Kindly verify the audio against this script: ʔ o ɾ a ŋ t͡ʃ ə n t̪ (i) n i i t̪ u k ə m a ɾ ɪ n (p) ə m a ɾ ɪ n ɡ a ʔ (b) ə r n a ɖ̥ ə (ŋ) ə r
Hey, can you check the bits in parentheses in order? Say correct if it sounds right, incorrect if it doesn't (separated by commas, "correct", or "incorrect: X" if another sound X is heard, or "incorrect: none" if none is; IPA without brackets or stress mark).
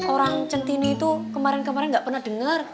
correct, incorrect: k, incorrect: p, correct